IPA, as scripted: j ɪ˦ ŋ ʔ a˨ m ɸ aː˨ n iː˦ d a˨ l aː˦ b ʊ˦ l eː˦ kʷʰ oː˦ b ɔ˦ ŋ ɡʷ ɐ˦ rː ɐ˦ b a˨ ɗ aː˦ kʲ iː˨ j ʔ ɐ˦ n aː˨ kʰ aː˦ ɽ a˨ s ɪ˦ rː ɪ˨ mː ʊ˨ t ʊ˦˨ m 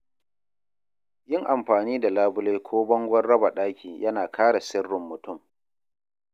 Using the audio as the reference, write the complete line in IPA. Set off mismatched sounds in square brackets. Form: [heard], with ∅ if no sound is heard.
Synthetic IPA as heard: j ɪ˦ ŋ ʔ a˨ m ɸ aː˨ n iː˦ d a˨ l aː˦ b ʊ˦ l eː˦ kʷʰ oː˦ b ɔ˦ ŋ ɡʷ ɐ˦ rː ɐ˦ b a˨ ɗ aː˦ kʲ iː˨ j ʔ ɐ˦ n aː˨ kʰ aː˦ ɽ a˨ s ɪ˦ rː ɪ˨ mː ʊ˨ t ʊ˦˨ m